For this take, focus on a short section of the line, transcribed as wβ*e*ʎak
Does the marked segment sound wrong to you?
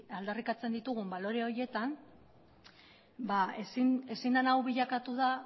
yes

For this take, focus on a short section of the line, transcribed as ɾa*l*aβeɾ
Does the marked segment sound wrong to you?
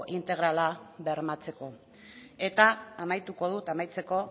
no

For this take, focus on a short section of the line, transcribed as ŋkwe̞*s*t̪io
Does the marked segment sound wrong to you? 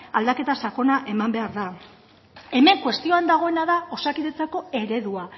no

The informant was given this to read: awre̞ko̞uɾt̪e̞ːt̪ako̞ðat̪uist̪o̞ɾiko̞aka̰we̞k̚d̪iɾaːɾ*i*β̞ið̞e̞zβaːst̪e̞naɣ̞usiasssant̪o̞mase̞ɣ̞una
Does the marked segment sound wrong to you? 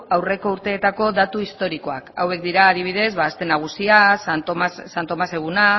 no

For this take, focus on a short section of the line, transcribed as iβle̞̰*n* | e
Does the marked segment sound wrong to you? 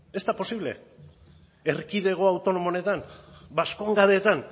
yes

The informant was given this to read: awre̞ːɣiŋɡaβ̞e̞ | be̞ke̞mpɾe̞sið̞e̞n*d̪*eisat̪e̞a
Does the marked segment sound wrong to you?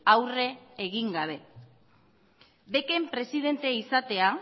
yes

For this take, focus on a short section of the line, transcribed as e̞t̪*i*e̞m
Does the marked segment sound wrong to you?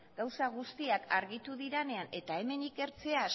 yes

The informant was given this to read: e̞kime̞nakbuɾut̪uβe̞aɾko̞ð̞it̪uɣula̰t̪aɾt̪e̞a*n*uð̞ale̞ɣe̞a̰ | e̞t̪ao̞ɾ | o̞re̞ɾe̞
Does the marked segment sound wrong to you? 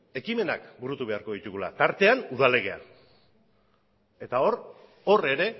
no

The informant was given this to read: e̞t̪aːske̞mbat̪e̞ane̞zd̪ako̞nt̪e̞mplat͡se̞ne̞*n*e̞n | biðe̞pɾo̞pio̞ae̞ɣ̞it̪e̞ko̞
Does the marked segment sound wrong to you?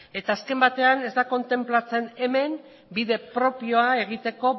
yes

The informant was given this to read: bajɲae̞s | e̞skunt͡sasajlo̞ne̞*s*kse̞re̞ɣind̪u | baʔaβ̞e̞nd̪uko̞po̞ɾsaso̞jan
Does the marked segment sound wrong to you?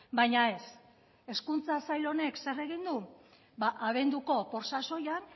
yes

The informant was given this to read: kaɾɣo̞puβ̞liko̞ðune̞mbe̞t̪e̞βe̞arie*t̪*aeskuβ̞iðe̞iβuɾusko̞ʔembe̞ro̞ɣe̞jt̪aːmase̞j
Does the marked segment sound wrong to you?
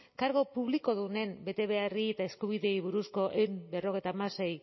no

